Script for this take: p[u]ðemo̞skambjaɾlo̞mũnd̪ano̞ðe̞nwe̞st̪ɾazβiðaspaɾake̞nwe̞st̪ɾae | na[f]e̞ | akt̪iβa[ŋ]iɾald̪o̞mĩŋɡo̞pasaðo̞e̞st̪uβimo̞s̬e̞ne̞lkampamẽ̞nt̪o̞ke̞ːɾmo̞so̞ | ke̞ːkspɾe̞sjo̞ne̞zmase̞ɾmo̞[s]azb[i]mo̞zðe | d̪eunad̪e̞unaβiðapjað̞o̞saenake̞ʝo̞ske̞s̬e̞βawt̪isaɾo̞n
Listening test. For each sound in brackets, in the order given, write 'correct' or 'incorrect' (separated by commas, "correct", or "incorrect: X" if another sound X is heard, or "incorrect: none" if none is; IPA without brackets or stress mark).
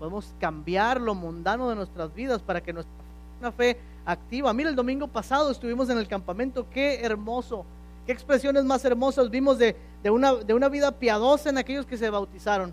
incorrect: o, correct, incorrect: m, correct, correct